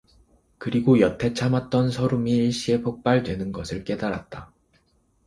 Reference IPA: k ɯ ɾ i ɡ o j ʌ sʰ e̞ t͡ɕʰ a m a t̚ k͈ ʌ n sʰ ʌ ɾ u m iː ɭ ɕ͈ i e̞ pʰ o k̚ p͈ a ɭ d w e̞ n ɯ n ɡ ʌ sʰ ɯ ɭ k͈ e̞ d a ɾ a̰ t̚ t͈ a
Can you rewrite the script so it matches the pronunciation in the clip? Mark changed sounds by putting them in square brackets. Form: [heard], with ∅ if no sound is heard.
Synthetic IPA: k ɯ ɾ i ɡ o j ʌ [tʰ] e̞ t͡ɕʰ a m a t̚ [t͈] ʌ n sʰ ʌ ɾ u m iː ɭ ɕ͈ i e̞ pʰ o k̚ p͈ a ɭ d w e̞ n ɯ n ɡ ʌ sʰ ɯ ɭ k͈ e̞ d a ɾ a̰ t̚ t͈ a